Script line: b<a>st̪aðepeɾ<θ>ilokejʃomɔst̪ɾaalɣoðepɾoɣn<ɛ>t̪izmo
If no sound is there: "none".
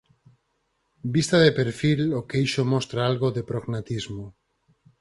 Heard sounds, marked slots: i, f, a

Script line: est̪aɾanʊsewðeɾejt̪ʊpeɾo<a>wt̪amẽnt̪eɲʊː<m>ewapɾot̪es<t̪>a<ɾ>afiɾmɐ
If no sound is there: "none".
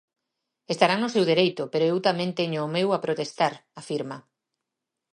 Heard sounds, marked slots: e, m, t̪, ɾ

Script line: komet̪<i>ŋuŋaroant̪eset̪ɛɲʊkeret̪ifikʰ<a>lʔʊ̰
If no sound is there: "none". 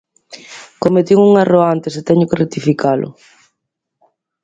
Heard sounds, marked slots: i, a

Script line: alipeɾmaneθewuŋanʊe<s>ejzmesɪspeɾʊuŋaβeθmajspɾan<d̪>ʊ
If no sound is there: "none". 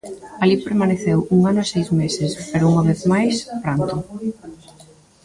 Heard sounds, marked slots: s, t̪

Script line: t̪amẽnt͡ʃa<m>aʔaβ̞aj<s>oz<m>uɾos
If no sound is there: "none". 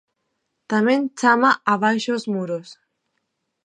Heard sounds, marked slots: m, ʃ, m

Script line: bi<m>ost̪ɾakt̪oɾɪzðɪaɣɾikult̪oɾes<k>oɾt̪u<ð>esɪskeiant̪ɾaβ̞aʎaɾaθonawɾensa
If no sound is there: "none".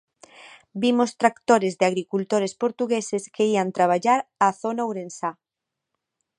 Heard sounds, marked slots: m, p, ɣ

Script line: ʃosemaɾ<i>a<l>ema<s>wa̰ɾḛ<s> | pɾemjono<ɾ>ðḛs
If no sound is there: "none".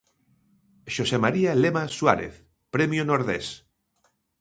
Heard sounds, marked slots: i, l, s, θ, ɾ

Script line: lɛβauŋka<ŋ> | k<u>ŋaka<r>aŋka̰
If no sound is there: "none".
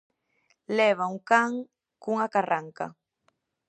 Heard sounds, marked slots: ŋ, u, r

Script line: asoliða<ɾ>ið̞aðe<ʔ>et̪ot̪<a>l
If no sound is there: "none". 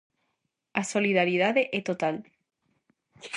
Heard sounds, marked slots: ɾ, ʔ, a

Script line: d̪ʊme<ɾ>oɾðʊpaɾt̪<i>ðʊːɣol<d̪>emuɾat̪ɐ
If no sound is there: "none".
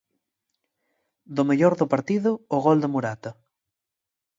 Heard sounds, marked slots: ʎ, i, d̪

